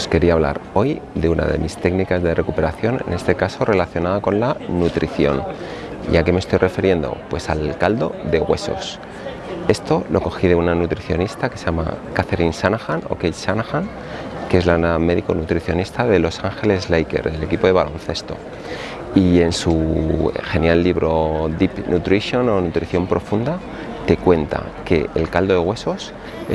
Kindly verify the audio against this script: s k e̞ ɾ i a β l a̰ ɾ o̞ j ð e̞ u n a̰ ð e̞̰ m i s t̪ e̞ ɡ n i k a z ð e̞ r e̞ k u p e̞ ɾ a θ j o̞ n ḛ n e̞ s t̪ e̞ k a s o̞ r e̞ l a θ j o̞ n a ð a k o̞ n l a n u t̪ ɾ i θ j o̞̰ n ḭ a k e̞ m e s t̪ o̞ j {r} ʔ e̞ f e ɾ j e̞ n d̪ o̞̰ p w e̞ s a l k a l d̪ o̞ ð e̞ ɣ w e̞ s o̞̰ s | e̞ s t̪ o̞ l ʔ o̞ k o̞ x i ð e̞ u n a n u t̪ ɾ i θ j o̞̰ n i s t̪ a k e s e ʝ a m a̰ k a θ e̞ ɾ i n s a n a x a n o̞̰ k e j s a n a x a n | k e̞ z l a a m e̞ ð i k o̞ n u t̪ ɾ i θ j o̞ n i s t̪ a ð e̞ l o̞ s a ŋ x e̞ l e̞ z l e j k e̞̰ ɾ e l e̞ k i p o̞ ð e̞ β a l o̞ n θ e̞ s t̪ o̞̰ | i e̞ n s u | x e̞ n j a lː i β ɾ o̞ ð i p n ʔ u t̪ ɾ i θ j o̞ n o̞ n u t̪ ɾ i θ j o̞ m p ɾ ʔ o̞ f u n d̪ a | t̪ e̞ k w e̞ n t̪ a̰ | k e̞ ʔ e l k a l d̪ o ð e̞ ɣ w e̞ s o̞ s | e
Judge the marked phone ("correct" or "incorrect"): correct